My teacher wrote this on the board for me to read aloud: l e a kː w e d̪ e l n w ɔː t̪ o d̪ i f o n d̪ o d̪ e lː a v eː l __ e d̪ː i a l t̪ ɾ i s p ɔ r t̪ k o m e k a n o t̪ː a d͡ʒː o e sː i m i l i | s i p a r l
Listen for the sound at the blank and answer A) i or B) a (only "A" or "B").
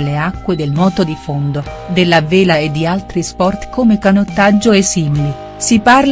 B